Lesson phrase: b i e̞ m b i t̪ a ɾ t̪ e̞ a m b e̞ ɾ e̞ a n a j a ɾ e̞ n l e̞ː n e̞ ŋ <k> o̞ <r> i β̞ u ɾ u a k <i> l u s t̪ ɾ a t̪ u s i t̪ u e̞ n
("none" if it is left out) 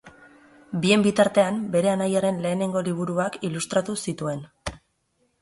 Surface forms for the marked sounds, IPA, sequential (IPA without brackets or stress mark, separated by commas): ɡ, l, i